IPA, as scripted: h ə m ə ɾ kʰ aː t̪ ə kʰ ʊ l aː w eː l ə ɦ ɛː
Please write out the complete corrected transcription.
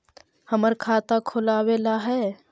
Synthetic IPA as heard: h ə m ə ɾ kʰ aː t̪ a kʰ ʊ l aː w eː l a ɦ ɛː